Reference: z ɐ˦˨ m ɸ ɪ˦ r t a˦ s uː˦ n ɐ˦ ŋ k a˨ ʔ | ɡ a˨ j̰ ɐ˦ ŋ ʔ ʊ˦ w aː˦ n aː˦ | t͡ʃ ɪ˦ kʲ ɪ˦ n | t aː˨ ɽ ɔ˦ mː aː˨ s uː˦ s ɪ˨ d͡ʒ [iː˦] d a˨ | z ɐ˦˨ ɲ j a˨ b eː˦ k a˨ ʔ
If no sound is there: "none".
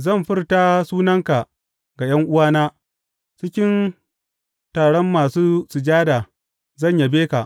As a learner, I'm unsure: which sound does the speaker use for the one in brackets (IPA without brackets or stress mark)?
aː˦